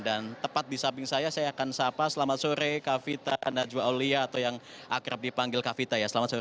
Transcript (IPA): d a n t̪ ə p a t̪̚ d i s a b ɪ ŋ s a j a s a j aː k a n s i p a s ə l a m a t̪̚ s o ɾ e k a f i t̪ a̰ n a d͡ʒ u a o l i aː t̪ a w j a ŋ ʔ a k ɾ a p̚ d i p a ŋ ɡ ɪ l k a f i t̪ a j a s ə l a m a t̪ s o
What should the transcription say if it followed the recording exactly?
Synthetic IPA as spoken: d a n t̪ ə p a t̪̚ d i s a b ɪ ŋ s a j a s a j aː k a n s a p a s ə l a m a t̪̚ s o ɾ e k a f i t̪ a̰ n a d͡ʒ u a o l i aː t̪ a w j a ŋ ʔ a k ɾ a p̚ d i p a ŋ ɡ ɪ l k a f i t̪ a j a s ə l a m a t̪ s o